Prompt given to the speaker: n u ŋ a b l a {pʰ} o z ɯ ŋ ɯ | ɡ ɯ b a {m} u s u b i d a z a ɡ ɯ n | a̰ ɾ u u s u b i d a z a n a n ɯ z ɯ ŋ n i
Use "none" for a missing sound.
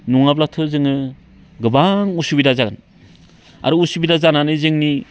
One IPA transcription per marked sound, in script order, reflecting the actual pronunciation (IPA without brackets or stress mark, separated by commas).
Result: tʰ, ŋ